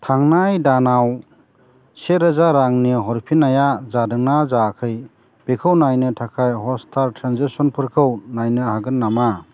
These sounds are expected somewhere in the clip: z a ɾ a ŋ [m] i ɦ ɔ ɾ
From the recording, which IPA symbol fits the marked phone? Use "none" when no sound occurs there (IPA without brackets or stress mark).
n